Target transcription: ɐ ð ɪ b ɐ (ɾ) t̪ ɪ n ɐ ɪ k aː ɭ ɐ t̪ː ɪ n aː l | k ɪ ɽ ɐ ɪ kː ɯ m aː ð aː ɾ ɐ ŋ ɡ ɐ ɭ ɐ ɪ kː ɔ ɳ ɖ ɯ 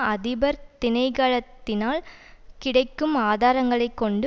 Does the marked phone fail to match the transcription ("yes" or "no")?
no